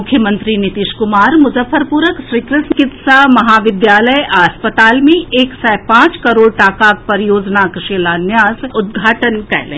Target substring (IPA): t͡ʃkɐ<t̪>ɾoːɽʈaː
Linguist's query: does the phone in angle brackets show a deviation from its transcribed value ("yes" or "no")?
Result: yes